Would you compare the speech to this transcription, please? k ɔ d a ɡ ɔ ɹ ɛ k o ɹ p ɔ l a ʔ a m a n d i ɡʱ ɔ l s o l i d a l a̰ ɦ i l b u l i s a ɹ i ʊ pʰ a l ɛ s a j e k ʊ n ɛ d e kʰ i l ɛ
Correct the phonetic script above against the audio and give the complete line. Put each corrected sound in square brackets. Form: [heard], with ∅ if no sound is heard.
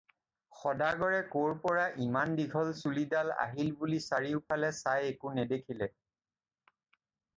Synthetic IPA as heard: [x] ɔ d a ɡ ɔ ɹ ɛ k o ɹ p ɔ [ɹ] a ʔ [i] m a n d i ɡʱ ɔ l s [u] l i d a l a̰ ɦ i l b u l i s a ɹ i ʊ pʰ a l ɛ s a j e k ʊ n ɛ d e kʰ i l ɛ